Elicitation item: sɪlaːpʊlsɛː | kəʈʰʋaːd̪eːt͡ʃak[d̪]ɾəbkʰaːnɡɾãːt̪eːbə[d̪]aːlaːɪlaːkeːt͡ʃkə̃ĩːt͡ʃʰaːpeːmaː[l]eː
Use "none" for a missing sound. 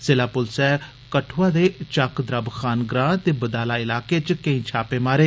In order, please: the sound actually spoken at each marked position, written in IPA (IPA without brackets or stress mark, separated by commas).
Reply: d̪, d̪, ɾ